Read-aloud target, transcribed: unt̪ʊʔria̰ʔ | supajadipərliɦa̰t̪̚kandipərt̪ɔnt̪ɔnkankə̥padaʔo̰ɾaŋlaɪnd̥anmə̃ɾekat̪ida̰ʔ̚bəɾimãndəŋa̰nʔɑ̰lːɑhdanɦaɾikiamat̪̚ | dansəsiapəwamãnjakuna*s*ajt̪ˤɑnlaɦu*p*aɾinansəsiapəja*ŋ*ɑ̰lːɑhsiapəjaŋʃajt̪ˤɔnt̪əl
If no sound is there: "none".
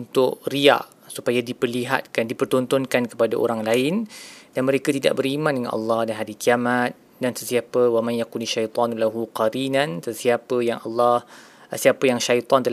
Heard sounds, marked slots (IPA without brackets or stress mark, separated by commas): ʃ, q, ŋ